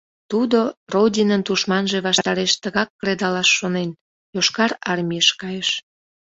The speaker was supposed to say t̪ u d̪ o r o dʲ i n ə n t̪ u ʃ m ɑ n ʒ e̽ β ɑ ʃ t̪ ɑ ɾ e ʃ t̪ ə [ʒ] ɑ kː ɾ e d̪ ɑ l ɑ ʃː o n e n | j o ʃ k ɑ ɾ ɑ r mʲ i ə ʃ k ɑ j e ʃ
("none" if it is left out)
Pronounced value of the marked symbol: ɣ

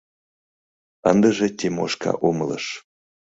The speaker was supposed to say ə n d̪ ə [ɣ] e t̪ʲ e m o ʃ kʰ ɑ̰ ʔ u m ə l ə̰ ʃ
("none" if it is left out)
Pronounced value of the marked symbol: ʒ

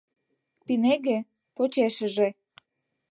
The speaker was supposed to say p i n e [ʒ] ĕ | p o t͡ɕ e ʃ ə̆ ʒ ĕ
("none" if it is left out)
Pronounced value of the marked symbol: ɣ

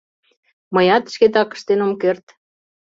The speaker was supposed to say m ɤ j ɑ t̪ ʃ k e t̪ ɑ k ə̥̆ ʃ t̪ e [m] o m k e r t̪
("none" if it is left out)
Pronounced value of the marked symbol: n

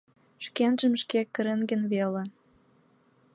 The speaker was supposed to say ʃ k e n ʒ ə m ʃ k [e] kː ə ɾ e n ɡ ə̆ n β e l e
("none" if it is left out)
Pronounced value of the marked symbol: e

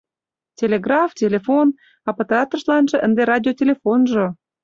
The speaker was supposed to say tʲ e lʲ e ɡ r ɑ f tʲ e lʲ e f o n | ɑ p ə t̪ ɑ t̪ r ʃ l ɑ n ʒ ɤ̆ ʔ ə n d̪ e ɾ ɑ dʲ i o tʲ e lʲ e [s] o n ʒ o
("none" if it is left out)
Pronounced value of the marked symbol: f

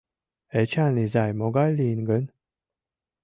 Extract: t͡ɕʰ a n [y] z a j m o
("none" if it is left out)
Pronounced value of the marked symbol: i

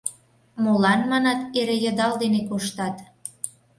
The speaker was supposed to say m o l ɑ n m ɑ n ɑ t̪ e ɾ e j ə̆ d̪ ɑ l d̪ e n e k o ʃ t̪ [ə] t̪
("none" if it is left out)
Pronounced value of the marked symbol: ɑ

